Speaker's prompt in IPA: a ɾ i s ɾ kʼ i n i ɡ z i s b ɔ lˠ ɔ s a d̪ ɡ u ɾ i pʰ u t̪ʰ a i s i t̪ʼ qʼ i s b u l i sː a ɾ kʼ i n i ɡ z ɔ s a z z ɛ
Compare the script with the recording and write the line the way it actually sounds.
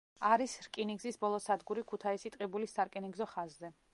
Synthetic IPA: a ɾ i s ɾ kʼ i n i ɡ z i s b ɔ lˠ ɔ s a d̪ ɡ u ɾ i kʰ u t̪ʰ a i s i t̪ʼ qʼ i b u l i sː a ɾ kʼ i n i ɡ z ɔ χ a z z ɛ